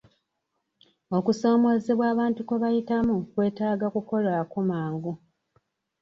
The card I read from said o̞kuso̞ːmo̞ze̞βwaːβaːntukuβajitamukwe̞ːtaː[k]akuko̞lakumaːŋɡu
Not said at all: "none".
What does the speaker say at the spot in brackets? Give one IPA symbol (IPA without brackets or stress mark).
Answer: ɡ